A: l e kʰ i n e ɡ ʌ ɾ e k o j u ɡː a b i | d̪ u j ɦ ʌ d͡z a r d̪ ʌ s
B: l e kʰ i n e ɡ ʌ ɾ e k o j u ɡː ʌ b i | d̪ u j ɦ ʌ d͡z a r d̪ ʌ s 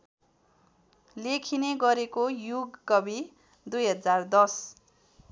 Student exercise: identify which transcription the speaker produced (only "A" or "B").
B